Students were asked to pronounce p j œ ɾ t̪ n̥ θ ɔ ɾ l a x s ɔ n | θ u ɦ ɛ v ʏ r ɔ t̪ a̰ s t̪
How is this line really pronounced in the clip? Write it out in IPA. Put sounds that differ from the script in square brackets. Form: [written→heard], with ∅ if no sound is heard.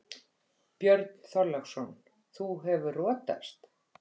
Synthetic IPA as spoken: p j œ ɾ t̪ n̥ θ ɔ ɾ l a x s ɔ n | θ u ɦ ɛ v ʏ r [ɔ→ɔː] t̪ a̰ s t̪